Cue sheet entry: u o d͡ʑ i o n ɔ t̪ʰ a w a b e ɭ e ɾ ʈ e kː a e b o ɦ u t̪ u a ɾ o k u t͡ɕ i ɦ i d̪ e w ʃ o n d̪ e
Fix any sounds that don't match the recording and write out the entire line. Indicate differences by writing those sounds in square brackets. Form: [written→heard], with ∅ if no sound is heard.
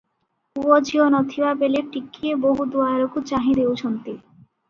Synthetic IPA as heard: u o d͡ʑ i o n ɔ t̪ʰ [a→i] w a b e [ɭ→l] e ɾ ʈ [e→i] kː [a→i] e b o ɦ u [t̪→d̪] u a ɾ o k u t͡ɕ [i→a] ɦ i d̪ e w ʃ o n [d̪→t̪] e